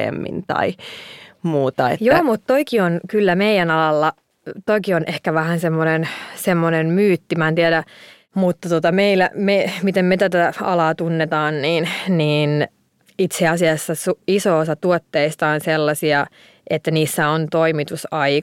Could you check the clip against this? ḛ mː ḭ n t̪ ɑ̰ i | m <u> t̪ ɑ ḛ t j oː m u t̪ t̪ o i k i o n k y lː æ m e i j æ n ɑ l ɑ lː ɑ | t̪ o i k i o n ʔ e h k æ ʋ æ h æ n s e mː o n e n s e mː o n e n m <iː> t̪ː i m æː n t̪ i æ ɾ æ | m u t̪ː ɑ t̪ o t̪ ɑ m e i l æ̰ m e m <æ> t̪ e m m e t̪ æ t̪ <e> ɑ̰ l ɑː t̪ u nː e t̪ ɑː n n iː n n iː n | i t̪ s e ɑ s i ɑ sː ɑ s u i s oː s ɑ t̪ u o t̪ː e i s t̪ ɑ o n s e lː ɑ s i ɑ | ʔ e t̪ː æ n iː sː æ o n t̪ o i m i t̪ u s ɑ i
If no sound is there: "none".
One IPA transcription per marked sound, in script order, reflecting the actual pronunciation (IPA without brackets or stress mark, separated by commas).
uː, yː, i, æ